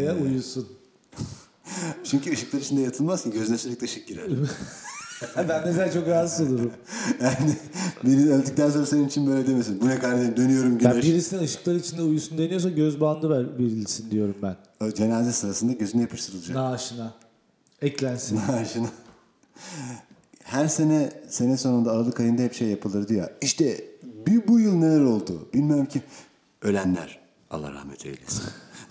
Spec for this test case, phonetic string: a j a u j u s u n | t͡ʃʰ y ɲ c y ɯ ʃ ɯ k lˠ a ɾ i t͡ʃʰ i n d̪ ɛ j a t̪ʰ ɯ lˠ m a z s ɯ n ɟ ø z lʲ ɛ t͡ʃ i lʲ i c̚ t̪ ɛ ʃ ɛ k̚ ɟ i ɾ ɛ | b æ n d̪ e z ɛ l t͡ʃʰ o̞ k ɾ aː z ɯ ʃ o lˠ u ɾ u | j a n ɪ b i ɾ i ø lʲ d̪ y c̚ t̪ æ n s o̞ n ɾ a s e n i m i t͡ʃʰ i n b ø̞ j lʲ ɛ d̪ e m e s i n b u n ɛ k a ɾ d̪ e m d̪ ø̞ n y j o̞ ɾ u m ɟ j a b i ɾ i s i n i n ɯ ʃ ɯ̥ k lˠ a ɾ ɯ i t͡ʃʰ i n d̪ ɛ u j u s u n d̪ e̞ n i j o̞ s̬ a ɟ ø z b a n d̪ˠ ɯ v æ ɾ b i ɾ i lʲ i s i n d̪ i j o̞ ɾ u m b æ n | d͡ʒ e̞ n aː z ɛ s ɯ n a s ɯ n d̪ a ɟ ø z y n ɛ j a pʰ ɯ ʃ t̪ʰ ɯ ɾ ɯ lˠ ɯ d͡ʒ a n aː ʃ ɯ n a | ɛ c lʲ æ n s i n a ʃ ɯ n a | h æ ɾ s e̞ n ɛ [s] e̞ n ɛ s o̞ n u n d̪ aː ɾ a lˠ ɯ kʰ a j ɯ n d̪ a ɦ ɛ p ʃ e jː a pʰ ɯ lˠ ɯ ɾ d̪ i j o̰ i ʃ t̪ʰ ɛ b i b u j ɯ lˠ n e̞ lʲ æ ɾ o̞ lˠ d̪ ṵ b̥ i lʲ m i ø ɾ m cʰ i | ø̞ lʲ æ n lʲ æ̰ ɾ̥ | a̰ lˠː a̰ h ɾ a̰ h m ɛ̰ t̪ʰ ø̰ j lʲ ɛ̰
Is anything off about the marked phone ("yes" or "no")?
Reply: no